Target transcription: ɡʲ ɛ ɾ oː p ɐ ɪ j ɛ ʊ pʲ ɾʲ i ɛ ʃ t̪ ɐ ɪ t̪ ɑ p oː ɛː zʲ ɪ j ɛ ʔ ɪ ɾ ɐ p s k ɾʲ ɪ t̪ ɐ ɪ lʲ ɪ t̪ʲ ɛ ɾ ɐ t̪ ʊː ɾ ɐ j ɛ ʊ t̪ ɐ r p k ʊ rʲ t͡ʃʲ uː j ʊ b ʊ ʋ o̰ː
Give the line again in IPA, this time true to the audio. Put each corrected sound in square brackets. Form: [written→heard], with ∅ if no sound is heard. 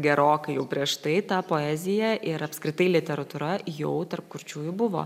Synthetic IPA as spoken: ɡʲ ɛ ɾ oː [p→k] ɐ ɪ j ɛ ʊ pʲ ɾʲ i ɛ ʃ t̪ ɐ ɪ t̪ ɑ p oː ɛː zʲ ɪ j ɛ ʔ ɪ ɾ ɐ p s k ɾʲ ɪ t̪ ɐ ɪ lʲ ɪ t̪ʲ ɛ ɾ ɐ t̪ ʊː ɾ ɐ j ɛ ʊ t̪ ɐ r p k ʊ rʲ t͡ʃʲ uː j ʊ b ʊ ʋ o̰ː